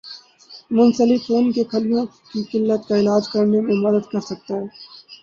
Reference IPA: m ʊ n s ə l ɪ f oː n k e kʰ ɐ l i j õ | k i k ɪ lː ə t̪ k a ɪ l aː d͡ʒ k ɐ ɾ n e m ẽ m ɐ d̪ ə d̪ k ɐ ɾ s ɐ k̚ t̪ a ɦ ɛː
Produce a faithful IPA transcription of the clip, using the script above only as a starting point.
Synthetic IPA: m ʊ n s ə l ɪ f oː n k e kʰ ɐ l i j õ | k i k ɪ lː ə t̪ k a ɪ l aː d͡ʒ k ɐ ɾ n e m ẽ m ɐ d̪ ə d̪ k ɐ ɾ s ɐ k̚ t̪ a ɦ ɛː